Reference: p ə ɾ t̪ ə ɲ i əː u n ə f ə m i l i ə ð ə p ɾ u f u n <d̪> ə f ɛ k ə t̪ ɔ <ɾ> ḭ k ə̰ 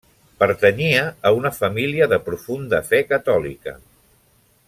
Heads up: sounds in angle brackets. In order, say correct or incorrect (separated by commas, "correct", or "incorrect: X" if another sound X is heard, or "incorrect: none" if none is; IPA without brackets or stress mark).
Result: correct, incorrect: l